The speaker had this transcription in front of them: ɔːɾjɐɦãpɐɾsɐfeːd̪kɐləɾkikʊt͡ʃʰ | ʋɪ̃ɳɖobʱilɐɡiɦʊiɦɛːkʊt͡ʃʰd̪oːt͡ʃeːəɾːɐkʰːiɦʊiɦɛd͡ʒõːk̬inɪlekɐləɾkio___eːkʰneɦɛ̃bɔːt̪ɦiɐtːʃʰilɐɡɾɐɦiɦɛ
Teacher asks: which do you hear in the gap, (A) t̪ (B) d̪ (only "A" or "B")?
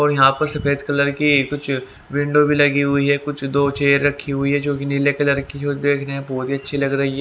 B